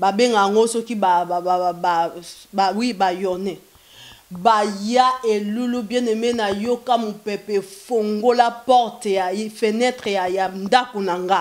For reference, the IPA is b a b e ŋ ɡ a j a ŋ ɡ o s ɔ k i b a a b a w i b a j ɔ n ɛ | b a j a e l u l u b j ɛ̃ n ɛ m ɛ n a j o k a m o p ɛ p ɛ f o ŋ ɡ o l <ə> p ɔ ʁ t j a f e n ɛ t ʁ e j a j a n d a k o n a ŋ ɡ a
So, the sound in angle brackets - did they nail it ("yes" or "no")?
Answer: no